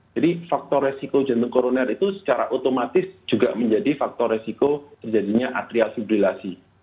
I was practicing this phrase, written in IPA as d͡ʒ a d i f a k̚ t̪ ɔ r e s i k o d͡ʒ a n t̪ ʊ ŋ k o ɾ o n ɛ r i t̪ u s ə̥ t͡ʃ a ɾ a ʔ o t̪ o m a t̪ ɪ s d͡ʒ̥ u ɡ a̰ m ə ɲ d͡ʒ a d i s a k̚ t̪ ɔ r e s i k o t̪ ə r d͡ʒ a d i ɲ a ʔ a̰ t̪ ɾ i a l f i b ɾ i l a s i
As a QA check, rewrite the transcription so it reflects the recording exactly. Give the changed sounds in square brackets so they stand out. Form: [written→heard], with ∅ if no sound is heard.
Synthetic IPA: d͡ʒ a d i f a k̚ t̪ ɔ r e s i k o d͡ʒ a n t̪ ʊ ŋ k o ɾ o n ɛ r i t̪ u s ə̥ t͡ʃ a ɾ a ʔ o t̪ o m a t̪ ɪ s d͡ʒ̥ u ɡ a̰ m ə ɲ d͡ʒ a d i [s→f] a k̚ t̪ ɔ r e s i k o t̪ ə r d͡ʒ a d i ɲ a ʔ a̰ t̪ ɾ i a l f i b ɾ i l a s i